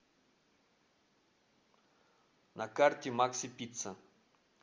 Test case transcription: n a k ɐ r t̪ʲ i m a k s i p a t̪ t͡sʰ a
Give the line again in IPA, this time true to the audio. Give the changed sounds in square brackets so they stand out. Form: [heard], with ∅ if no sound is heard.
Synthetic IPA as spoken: n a k [a] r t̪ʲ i m a k s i p [i] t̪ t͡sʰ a